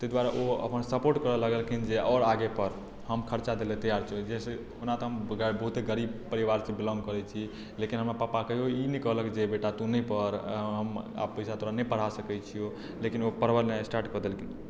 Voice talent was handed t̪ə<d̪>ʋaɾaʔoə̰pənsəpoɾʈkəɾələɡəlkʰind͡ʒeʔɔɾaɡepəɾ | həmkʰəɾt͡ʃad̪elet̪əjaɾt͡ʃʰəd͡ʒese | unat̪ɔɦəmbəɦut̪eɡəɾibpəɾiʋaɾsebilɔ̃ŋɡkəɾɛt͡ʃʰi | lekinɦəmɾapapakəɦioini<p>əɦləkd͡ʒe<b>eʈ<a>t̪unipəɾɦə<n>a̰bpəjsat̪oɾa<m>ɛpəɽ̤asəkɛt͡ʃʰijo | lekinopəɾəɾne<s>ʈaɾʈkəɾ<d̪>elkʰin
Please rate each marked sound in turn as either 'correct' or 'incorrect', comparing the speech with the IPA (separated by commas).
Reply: correct, incorrect, correct, correct, incorrect, incorrect, correct, correct